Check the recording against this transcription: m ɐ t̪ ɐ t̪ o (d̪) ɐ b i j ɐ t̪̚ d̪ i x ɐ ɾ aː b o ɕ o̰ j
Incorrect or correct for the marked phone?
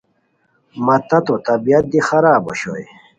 incorrect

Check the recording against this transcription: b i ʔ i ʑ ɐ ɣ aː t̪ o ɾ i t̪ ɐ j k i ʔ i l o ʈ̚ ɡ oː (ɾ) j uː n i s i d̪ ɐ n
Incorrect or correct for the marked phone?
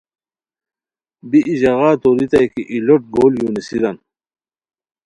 incorrect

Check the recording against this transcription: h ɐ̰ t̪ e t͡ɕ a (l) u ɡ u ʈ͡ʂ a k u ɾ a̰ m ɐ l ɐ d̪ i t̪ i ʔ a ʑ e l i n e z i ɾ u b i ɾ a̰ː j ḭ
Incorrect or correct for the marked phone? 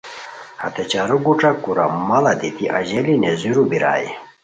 incorrect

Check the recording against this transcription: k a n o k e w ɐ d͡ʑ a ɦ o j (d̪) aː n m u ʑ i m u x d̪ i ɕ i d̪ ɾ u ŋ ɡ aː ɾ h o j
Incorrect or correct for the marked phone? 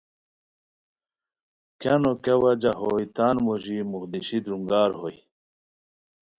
incorrect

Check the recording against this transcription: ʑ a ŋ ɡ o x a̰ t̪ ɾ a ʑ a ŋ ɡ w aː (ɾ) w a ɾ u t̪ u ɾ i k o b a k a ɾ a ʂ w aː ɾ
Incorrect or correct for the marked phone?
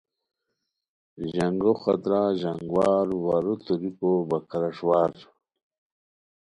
correct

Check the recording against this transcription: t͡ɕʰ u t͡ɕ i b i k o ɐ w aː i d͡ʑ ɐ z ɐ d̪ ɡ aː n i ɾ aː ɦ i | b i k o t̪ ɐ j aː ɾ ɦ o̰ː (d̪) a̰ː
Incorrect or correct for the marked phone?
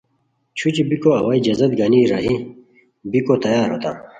incorrect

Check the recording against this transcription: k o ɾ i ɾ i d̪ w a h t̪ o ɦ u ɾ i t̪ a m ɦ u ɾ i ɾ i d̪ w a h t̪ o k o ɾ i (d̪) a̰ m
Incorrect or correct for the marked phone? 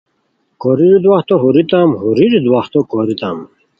incorrect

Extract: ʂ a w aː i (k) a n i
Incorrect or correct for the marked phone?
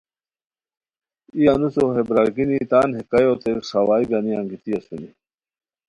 incorrect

